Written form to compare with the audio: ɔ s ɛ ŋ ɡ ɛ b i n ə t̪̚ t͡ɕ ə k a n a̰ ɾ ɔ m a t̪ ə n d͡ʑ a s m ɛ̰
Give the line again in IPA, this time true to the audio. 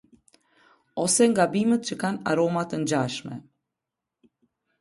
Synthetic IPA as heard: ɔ s ɛ ŋ ɡ a b i m ə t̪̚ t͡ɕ ə k a n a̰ ɾ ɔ m a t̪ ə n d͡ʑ a ʃ m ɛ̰